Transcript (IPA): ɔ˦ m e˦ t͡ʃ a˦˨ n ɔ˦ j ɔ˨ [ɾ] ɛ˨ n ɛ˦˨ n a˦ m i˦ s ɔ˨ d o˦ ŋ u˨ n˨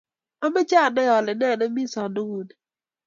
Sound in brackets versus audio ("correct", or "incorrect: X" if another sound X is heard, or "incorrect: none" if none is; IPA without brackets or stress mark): incorrect: l